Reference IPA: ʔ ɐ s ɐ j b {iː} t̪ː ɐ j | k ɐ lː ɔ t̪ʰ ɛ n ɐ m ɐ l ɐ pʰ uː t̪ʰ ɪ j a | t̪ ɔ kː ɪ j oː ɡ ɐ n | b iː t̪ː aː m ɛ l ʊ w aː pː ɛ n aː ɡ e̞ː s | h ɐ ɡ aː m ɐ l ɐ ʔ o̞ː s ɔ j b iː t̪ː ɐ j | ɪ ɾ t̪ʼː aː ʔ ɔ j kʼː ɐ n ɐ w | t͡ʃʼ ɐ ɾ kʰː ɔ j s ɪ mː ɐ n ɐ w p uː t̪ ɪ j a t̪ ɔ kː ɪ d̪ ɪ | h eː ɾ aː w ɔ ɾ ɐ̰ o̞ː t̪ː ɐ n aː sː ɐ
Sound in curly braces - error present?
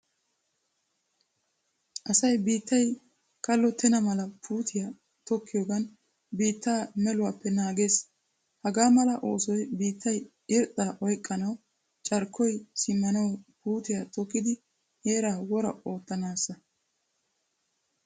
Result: no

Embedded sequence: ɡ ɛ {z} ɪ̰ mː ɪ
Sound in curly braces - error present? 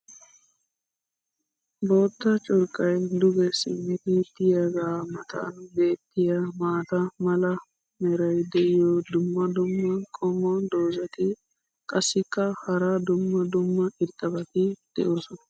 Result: yes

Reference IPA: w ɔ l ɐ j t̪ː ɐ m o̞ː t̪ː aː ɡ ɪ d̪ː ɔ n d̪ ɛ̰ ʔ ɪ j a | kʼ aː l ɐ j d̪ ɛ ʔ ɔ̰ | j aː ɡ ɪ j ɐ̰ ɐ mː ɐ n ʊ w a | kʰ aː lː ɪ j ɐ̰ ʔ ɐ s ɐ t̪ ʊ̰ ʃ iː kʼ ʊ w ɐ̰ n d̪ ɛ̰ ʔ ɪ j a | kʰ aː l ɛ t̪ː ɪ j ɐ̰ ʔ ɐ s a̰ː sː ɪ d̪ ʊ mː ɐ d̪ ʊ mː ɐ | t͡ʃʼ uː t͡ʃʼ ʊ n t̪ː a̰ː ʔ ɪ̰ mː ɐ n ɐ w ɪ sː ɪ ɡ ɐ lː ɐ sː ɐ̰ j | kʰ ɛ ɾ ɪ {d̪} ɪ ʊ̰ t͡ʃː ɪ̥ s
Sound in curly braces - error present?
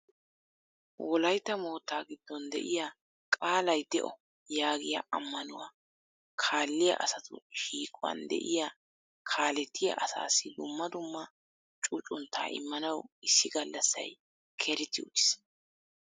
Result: yes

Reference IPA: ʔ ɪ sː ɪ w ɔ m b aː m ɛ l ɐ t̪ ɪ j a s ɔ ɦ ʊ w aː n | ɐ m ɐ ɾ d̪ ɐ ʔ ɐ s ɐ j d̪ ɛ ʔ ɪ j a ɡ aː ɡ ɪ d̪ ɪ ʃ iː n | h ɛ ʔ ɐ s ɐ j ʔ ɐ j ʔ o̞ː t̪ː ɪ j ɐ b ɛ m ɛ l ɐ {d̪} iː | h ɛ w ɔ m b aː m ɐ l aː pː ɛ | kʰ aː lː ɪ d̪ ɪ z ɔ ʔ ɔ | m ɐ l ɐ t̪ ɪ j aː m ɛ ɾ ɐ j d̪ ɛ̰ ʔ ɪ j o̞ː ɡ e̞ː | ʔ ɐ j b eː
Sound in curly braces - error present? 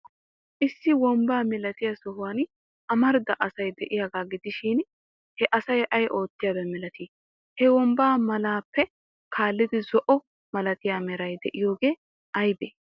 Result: yes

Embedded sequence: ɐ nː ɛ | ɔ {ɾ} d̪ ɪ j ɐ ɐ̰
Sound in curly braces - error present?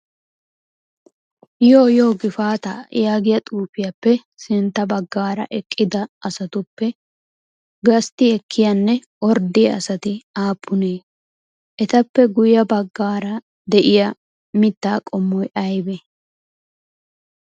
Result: no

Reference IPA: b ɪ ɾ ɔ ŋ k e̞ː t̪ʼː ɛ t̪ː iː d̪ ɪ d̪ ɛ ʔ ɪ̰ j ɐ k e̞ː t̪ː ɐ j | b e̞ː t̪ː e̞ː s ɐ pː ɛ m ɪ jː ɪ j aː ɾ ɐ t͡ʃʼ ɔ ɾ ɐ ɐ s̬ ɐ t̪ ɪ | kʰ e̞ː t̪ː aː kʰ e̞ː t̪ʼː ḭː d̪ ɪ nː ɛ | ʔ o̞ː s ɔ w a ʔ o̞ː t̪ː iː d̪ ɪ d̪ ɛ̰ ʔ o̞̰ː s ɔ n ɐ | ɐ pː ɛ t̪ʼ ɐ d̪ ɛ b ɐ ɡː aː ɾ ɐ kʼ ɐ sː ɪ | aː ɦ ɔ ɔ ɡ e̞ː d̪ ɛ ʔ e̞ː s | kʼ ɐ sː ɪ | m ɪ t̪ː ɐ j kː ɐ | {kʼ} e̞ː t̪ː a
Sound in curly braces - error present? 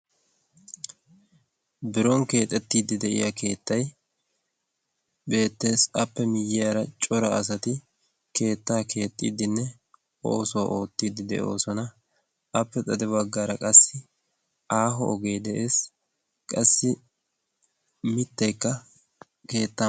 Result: yes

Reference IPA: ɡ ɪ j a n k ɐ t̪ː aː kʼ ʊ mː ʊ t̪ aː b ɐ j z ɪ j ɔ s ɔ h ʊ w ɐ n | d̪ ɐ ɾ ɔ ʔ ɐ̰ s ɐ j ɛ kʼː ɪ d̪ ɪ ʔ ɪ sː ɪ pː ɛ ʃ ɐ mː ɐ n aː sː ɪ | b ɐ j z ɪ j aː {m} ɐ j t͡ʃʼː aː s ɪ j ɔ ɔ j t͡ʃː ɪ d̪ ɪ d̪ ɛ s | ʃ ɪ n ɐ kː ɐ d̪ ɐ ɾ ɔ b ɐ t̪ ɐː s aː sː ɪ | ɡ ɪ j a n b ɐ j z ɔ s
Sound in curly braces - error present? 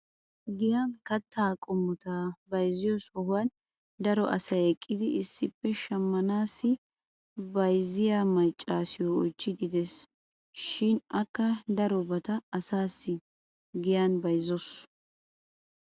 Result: no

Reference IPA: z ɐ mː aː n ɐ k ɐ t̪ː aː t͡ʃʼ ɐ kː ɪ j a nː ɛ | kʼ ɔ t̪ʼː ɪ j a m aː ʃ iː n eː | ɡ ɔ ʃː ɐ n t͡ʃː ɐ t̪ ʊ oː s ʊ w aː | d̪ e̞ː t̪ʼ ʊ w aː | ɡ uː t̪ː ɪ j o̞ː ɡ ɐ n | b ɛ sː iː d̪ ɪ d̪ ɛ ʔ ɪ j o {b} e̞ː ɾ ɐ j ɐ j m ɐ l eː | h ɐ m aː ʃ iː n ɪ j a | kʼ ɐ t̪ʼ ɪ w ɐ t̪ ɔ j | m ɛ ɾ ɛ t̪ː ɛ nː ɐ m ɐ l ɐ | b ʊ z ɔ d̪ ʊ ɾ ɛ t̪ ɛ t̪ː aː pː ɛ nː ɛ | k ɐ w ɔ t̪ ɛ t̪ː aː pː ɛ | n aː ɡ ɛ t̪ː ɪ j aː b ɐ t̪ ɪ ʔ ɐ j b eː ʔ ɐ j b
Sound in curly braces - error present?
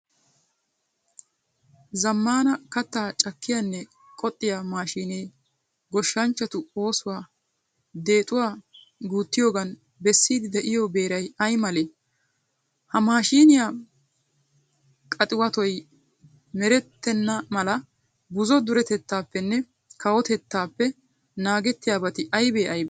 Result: no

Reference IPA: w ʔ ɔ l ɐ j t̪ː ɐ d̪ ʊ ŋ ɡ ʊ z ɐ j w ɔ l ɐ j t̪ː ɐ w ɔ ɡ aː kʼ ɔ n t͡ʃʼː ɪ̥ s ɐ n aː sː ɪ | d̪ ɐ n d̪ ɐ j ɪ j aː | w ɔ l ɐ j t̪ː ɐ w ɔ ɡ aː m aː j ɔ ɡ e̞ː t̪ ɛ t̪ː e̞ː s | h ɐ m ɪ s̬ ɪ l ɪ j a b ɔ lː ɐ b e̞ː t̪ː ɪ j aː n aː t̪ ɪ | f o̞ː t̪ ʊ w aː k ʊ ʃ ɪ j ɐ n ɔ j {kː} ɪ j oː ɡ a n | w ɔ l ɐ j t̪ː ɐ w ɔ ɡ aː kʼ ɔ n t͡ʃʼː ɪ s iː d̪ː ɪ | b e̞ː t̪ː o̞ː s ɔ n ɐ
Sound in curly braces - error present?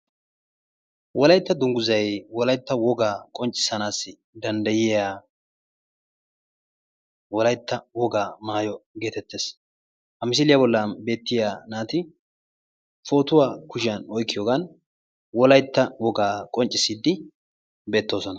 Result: no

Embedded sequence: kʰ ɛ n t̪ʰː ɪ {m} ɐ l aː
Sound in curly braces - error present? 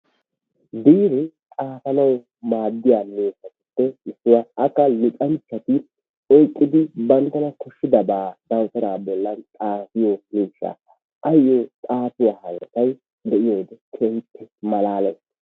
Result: no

